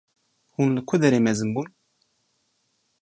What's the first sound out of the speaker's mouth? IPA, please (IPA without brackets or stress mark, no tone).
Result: h